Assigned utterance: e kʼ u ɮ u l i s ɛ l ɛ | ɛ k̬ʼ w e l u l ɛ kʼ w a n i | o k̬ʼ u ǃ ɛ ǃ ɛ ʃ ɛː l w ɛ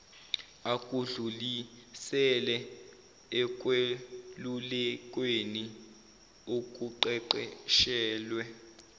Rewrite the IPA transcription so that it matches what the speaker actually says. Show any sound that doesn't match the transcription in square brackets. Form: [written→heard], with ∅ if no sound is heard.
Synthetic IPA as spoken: [e→a] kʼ u ɮ u l i s ɛ l ɛ | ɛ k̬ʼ w e l u l ɛ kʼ w [a→e] n i | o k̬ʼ u ǃ ɛ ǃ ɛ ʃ ɛː l w ɛ